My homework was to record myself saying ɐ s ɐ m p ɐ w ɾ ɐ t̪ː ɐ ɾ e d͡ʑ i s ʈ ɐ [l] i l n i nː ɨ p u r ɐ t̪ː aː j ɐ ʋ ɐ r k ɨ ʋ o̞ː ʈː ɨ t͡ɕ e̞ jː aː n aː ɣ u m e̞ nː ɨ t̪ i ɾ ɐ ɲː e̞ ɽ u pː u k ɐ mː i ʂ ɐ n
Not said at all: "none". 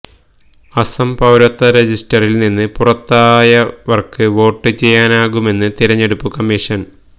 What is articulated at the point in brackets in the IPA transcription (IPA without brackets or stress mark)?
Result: r